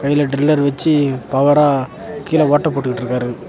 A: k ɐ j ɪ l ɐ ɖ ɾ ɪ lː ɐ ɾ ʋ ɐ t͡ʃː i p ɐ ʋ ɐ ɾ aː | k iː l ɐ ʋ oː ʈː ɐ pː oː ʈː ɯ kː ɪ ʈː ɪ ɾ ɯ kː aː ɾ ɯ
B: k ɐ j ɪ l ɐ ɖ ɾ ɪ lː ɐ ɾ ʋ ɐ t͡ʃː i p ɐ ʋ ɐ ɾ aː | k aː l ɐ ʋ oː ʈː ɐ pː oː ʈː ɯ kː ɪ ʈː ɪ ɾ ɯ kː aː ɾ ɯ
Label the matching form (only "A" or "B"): A